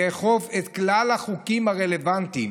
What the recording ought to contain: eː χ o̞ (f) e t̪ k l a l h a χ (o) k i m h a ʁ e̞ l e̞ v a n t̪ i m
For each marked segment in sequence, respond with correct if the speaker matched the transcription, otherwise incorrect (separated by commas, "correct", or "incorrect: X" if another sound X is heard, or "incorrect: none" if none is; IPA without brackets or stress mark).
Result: incorrect: v, incorrect: u